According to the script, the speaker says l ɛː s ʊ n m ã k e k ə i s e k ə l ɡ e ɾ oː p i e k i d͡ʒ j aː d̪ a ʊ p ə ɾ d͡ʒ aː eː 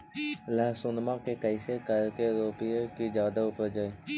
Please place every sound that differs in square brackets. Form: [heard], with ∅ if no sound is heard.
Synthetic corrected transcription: l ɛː s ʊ n m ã k e k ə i s e k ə l [k] e ɾ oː p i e k i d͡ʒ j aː d̪ a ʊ p ə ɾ d͡ʒ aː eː